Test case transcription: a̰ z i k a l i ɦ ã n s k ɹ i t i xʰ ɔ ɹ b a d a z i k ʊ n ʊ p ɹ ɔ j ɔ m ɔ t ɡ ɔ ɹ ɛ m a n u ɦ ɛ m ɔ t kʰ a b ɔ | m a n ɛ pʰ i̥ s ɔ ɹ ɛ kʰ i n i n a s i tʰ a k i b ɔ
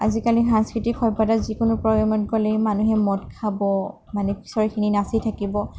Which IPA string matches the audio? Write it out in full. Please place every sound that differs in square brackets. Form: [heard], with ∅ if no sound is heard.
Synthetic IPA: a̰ z i k a l i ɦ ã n s k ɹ i t i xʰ ɔ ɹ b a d a z i k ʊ n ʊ p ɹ ɔ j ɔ m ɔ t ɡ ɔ [l] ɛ m a n u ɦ ɛ m ɔ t kʰ a b ɔ | m a n ɛ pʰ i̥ s ɔ ɹ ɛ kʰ i n i n a s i tʰ a k i b ɔ